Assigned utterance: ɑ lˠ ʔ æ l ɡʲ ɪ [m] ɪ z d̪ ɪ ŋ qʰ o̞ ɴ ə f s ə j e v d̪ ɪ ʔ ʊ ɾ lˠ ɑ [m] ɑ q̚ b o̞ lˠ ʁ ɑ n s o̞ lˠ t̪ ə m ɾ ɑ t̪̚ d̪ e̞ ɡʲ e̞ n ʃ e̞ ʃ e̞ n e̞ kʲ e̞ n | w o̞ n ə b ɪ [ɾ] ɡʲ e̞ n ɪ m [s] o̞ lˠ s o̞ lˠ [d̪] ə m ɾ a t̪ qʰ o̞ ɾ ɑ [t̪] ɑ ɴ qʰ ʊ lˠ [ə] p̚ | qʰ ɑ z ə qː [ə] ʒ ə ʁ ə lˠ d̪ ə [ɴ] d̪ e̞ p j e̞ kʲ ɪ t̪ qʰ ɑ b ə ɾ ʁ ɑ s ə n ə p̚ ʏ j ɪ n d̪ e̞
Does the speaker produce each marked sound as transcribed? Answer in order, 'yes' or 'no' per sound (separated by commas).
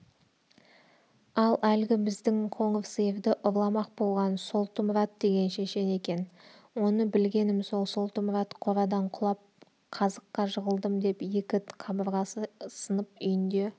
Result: no, yes, no, yes, no, no, no, no, no